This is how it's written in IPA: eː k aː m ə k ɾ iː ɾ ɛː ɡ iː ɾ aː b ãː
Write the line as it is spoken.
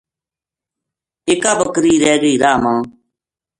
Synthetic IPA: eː k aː b ə k ɾ iː ɾ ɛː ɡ iː ɾ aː m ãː